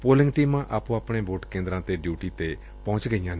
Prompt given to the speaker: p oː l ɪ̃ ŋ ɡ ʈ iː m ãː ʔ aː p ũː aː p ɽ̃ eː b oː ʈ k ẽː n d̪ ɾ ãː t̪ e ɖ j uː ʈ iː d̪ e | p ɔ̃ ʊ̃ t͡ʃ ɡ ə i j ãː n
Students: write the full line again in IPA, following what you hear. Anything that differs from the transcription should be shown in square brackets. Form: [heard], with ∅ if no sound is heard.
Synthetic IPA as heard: p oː l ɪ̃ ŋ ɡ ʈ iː m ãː ʔ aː p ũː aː p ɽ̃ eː b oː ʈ k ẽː n d̪ ɾ ãː t̪ e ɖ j uː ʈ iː [t̪] e | p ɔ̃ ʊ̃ t͡ʃ ɡ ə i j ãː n